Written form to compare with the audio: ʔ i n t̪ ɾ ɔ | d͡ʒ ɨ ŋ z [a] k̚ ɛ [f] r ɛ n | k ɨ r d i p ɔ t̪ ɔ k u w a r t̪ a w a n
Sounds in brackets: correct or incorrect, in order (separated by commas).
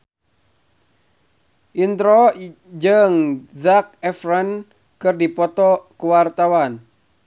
correct, correct